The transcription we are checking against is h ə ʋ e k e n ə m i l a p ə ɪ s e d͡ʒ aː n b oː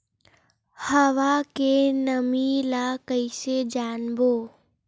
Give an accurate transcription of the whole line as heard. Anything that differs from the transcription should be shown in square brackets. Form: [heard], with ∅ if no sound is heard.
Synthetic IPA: h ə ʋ [a] k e n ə m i l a [k] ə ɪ s e d͡ʒ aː n b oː